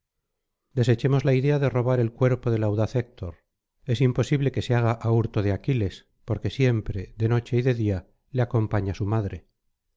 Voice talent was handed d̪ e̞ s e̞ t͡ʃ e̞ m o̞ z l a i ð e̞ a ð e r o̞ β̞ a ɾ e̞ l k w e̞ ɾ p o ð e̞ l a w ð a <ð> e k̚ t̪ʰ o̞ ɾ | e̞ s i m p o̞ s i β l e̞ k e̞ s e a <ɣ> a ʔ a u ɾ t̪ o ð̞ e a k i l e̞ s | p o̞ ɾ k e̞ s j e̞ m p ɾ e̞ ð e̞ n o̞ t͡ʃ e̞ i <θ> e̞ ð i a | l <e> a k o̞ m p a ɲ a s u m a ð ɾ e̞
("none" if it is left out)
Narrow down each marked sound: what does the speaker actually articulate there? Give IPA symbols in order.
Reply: θ, ɣ, ð, e

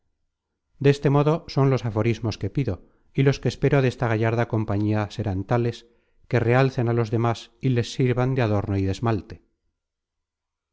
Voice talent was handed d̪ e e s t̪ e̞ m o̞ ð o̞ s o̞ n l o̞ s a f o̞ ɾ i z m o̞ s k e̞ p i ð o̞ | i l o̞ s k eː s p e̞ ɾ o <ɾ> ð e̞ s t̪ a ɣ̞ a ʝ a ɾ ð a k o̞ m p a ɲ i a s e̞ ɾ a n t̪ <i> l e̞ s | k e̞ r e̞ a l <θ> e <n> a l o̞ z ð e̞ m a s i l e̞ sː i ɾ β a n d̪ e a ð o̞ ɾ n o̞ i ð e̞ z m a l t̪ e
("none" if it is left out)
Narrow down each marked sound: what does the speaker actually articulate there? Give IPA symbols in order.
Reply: none, a, θ, n

